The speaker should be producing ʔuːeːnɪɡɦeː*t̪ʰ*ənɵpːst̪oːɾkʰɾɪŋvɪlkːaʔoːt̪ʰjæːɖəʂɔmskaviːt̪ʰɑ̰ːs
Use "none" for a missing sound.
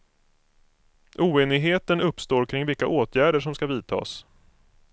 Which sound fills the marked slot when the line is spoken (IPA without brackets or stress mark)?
t̪